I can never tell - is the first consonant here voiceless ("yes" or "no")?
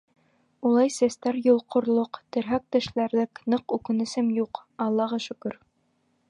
no